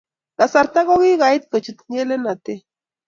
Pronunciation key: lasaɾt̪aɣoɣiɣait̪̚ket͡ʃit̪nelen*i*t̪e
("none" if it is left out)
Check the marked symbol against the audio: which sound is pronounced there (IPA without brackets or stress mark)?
a